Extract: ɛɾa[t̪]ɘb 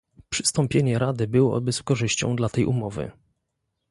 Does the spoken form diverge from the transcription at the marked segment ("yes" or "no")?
yes